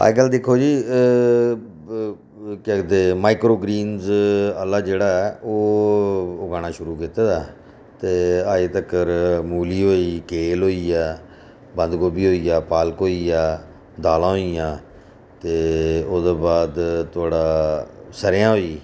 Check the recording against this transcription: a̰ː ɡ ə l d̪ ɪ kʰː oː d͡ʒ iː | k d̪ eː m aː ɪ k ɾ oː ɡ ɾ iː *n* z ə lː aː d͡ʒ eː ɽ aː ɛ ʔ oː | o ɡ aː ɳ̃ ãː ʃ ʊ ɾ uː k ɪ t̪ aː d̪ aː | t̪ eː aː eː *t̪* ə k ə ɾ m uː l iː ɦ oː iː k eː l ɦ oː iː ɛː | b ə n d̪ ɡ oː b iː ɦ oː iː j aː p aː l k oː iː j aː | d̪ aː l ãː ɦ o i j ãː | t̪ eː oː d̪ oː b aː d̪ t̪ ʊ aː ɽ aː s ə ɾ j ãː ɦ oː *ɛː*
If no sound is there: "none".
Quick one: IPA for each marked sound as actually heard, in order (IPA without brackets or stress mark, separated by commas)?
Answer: n, t̪, iː